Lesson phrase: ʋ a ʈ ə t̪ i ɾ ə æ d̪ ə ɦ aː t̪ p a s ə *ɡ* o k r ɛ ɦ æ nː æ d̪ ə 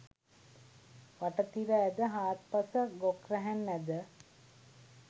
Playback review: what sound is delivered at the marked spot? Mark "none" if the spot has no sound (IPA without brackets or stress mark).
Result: ɡ